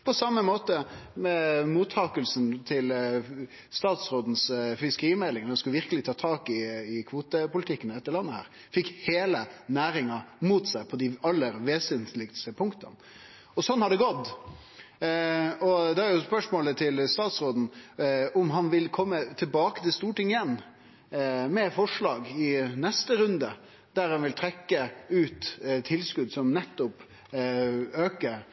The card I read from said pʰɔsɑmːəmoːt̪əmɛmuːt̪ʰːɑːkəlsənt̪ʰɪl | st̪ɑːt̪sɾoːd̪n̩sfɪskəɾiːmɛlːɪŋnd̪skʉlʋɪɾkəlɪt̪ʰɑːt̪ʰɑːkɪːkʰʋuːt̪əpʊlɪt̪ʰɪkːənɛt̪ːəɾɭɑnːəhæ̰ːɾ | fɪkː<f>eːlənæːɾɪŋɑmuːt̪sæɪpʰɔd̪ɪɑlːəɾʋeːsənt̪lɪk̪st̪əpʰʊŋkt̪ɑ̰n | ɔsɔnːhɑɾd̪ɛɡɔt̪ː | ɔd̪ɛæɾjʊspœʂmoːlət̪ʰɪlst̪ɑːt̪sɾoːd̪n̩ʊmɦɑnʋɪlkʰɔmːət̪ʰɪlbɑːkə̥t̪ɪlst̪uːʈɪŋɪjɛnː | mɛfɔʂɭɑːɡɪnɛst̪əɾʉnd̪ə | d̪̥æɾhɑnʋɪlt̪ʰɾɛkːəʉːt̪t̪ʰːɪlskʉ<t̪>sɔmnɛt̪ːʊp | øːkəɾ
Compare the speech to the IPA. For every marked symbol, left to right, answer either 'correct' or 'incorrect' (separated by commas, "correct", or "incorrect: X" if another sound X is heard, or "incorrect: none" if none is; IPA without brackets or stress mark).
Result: incorrect: h, incorrect: d̪